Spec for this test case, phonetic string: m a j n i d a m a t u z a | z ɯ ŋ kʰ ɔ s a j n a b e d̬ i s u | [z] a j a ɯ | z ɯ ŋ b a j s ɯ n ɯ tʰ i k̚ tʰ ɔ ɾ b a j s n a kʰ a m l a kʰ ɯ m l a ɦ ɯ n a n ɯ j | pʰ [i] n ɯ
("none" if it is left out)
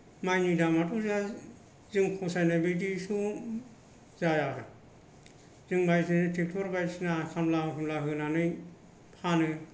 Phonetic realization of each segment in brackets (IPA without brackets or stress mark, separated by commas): z, a